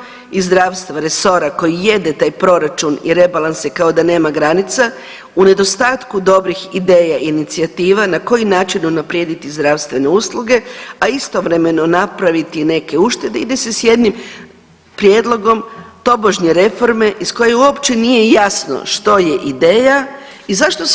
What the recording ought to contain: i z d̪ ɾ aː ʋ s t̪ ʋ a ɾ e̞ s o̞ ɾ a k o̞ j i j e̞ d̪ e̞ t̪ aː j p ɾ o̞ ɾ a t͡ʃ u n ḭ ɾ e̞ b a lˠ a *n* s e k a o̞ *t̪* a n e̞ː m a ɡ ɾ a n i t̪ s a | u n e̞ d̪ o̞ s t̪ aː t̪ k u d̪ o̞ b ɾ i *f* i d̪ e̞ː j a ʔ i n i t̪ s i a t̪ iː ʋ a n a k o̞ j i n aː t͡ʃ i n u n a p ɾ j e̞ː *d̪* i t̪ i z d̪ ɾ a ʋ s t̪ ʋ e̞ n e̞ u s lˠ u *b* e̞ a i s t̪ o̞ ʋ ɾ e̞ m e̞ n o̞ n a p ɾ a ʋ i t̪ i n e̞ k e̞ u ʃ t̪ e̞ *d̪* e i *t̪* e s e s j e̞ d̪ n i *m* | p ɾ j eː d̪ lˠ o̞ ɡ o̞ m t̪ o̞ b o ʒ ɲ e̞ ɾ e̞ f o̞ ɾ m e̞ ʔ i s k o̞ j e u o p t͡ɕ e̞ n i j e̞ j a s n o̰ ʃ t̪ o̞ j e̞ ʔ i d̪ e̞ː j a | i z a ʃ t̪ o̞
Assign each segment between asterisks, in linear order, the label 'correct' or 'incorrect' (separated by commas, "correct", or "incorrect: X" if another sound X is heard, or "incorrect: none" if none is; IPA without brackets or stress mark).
correct, incorrect: d̪, incorrect: x, correct, incorrect: ɡ, correct, incorrect: d̪, correct